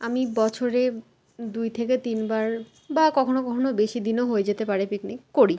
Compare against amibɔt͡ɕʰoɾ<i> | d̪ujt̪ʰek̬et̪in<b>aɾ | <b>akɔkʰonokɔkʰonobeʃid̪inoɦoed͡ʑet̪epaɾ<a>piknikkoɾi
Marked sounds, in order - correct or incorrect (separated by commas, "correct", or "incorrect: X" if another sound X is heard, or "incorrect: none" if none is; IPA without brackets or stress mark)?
incorrect: e, correct, correct, incorrect: e